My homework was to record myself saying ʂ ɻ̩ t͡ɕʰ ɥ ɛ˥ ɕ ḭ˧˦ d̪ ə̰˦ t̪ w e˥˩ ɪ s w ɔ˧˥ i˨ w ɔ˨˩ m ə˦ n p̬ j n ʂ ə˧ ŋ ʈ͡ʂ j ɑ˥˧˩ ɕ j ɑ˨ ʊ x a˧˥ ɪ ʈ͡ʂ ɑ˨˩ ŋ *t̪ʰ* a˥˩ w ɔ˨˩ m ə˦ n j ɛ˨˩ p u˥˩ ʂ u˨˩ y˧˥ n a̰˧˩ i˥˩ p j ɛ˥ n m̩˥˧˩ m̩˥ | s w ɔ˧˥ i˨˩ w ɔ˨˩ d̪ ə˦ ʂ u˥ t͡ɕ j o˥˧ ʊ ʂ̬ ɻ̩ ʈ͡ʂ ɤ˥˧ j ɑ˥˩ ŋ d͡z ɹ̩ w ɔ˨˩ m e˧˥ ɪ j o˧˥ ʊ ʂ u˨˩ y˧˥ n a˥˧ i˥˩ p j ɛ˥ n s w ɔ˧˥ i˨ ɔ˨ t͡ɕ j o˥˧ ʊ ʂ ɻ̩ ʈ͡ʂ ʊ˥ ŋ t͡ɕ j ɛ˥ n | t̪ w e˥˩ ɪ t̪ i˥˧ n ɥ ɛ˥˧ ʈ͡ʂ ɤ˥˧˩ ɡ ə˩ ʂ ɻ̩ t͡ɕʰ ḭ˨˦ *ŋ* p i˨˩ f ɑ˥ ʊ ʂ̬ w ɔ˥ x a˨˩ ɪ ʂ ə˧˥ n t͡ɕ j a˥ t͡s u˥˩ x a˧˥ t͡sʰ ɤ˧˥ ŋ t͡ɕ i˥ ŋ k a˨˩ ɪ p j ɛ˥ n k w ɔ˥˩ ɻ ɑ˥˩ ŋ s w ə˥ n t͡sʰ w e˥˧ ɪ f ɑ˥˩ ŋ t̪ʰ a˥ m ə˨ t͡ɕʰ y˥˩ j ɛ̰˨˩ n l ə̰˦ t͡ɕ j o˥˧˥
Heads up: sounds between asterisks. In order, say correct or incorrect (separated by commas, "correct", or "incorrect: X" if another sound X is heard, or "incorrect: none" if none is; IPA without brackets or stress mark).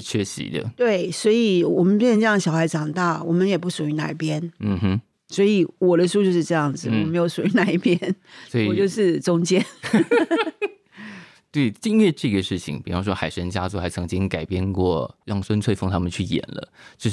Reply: incorrect: t̪, correct